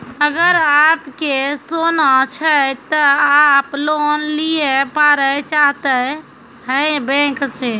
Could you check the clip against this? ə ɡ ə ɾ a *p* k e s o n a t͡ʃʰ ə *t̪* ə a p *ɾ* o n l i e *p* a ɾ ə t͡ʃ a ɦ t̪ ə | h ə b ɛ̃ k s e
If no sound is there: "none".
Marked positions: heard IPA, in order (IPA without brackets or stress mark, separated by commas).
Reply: p, t̪, l, p